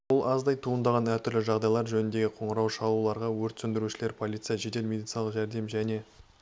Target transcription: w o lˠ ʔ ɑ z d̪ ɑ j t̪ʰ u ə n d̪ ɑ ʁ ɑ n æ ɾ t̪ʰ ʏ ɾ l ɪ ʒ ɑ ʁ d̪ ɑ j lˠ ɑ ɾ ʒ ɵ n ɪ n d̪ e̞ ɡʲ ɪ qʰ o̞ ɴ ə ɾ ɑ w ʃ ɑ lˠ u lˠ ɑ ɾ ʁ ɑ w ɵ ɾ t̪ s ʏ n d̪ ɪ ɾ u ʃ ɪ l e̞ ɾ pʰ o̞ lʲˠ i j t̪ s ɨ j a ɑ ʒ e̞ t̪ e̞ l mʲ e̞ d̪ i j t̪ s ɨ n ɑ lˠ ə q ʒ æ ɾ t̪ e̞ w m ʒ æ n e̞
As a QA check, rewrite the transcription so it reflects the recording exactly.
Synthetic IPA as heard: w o lˠ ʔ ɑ z d̪ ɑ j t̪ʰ u ə n d̪ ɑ ʁ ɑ n æ ɾ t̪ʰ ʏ ɾ l ɪ ʒ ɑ ʁ d̪ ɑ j lˠ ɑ ɾ ʒ ɵ n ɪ n d̪ e̞ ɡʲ ɪ qʰ o̞ ɴ ə ɾ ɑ w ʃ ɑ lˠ u lˠ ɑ ɾ ʁ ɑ w ɵ ɾ t̪ s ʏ n d̪ ɪ ɾ u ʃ ɪ l e̞ ɾ pʰ o̞ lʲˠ i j t̪ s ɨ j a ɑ ʒ e̞ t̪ e̞ l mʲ e̞ d̪ i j t̪ s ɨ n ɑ lˠ ə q ʒ æ ɾ d̪ e̞ m ʒ æ n e̞